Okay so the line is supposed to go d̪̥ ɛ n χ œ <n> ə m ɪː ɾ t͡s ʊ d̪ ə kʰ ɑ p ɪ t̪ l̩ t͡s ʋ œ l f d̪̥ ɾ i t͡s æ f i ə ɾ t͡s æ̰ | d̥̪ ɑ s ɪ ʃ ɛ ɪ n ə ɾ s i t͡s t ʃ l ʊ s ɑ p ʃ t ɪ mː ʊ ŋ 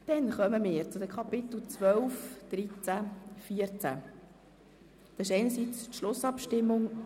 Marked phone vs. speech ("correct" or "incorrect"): incorrect